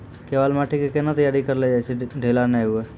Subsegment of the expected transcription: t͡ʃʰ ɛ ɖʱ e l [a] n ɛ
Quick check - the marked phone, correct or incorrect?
correct